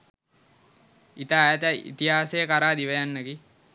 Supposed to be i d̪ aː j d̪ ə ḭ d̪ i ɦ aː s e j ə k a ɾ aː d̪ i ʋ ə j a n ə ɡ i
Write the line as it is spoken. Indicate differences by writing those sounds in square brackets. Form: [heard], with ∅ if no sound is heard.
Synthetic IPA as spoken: i [t̪] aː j [t̪] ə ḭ [t̪] i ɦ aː s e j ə k a ɾ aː d̪ i ʋ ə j a [nː] ə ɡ i